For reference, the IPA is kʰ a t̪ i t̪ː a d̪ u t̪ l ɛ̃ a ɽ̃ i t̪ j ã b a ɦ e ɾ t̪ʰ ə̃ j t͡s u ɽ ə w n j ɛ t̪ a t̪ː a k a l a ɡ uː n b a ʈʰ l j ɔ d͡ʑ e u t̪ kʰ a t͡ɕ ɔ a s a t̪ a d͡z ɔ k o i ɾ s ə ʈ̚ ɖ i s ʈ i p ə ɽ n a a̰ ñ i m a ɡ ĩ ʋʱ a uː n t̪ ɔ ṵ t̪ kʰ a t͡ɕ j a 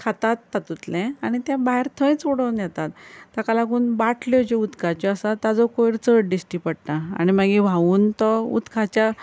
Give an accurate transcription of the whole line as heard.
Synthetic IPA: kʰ a t̪ a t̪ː a t̪ u t̪ l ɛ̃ a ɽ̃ i t̪ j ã b a ɦ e ɾ t̪ʰ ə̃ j t͡s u ɽ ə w n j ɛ t̪ a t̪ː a k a l a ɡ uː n b a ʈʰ l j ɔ d͡ʑ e u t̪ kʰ a t͡ɕ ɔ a s a t̪ a d͡z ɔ k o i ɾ t͡s ə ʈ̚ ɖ i s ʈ i p ə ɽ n a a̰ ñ i m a ɡ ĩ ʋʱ a uː n t̪ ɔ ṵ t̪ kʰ a t͡ɕ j a